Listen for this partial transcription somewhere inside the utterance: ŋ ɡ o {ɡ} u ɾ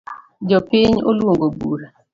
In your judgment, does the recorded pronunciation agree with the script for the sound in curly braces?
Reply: no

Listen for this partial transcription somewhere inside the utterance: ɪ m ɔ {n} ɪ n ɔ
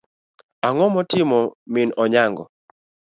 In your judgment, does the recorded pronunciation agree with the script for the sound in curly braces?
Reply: no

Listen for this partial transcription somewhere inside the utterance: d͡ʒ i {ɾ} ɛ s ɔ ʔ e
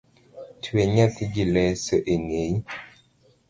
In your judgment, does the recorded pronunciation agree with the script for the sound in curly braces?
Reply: no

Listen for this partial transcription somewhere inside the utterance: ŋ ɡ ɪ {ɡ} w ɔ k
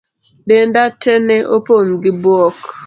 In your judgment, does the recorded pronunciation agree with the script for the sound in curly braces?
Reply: no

